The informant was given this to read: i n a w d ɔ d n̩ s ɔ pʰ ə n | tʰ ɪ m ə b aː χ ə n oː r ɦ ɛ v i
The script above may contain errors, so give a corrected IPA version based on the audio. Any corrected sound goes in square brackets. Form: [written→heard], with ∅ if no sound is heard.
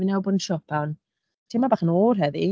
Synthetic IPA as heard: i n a w [d→b] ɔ d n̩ [s→ʃ] ɔ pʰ [ə→a] n | tʰ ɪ m [ə→a] b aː χ ə n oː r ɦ ɛ [v→ð] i